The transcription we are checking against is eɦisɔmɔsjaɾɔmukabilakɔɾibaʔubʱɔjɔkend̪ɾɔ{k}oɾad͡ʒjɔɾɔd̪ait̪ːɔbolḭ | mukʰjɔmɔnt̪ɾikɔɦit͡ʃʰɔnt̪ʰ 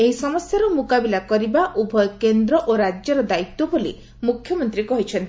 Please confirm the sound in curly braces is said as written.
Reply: no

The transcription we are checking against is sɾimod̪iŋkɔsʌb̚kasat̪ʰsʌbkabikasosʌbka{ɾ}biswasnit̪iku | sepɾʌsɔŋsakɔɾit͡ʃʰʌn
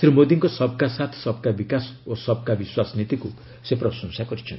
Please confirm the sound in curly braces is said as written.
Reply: no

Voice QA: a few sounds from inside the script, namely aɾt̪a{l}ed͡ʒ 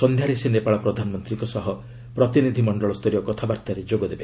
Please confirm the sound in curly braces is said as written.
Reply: no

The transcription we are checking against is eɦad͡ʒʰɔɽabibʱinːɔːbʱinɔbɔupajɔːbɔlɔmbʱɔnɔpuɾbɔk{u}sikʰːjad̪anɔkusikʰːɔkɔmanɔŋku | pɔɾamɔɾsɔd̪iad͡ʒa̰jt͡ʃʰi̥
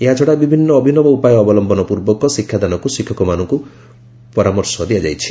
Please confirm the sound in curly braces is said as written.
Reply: no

